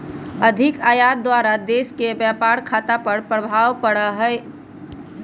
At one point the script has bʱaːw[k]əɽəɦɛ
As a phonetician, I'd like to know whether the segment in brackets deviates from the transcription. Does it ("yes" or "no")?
yes